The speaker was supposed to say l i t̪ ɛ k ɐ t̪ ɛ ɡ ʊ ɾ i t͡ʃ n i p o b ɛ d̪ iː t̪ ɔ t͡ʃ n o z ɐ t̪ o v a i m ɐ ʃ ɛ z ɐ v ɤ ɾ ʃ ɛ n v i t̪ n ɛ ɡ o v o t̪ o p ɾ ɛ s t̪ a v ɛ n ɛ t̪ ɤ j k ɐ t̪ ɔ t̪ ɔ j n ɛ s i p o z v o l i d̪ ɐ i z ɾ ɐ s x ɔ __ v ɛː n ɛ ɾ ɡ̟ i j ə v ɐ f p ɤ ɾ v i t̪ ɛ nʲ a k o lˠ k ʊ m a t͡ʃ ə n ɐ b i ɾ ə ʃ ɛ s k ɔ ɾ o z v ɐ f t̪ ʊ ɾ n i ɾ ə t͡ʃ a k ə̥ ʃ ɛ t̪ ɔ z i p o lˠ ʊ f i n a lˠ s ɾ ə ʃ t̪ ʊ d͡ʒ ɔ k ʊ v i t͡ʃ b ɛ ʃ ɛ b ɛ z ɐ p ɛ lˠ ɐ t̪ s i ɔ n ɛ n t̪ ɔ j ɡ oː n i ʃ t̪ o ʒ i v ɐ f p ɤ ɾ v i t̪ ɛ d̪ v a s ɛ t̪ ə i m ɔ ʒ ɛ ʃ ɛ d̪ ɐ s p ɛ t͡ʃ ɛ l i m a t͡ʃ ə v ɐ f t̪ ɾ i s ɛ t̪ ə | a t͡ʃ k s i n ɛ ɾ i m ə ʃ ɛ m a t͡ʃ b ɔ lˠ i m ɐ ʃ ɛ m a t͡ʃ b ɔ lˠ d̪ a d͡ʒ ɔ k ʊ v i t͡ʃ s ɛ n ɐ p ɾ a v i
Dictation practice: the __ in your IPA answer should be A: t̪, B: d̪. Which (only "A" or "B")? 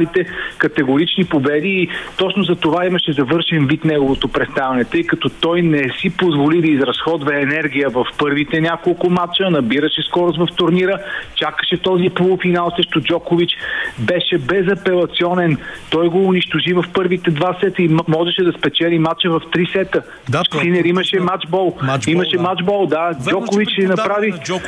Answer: B